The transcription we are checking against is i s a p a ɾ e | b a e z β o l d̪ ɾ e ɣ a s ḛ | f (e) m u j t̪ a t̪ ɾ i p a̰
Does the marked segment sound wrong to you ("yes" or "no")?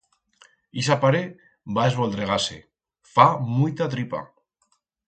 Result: yes